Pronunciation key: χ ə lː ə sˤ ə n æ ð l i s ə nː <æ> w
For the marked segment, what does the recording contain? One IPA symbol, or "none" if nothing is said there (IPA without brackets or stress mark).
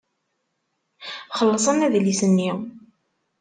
i